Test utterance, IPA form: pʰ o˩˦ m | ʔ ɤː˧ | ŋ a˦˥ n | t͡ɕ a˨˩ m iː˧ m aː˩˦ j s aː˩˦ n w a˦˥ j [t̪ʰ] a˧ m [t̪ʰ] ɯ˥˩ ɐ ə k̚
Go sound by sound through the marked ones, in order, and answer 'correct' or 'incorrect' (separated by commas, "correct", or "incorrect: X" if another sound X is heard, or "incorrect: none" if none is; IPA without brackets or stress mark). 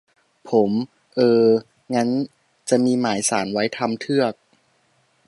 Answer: correct, correct